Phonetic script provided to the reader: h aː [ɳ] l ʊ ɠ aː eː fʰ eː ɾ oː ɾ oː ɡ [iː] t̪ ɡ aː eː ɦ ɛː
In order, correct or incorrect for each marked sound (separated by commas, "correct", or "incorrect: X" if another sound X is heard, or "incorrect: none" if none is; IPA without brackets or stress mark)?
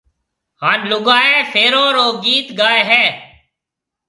incorrect: n, correct